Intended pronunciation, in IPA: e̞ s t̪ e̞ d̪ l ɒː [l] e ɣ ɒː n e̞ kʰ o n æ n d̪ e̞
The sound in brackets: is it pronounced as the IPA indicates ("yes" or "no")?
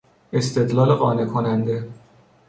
yes